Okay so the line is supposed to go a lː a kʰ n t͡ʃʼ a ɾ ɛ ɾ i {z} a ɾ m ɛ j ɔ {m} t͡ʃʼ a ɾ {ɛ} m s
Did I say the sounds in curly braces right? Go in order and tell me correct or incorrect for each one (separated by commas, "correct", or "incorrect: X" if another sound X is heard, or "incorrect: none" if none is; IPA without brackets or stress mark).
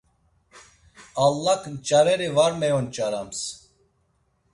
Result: incorrect: v, incorrect: n, incorrect: a